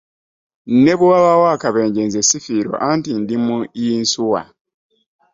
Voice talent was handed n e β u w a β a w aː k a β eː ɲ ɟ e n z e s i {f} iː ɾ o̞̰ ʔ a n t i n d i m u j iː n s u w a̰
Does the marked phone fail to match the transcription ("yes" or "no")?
no